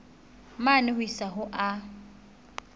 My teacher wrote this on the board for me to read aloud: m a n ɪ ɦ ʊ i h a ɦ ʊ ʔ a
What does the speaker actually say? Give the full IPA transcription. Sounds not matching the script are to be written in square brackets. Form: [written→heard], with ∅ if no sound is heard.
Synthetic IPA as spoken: m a n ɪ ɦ ʊ i [h→s] a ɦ ʊ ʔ a